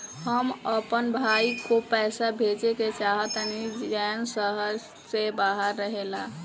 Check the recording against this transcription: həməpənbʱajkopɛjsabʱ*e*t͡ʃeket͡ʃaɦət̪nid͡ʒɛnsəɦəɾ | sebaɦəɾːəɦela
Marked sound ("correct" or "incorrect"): correct